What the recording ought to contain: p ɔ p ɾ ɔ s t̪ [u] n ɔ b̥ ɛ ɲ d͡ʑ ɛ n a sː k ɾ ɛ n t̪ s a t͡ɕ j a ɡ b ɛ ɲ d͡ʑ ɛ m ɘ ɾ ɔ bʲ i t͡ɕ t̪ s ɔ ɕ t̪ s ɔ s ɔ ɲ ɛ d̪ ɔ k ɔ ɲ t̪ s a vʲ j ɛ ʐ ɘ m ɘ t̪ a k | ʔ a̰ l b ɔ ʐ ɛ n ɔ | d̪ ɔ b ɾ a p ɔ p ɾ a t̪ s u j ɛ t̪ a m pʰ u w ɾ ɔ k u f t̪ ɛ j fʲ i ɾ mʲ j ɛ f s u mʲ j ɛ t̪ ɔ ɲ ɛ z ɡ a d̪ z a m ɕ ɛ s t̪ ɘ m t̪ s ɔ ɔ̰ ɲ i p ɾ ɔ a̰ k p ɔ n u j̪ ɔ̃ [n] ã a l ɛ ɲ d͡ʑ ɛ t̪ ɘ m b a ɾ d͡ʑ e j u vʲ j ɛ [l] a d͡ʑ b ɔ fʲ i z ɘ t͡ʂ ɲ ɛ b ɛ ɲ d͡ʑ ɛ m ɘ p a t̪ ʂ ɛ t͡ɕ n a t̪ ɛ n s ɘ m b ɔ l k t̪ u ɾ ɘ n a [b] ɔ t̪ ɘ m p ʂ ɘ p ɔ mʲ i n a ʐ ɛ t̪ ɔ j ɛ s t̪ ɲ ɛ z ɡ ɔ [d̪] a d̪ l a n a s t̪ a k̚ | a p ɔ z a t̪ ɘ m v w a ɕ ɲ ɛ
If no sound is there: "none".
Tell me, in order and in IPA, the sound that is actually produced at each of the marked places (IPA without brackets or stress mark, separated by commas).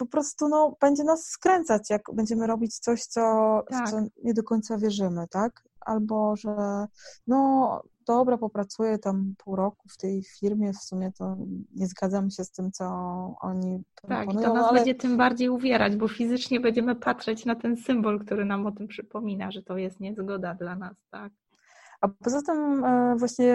u, n, ɾ, m, d̪